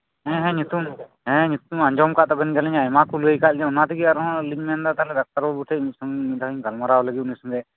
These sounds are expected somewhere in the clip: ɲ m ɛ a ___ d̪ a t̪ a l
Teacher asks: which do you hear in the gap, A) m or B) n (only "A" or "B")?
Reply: B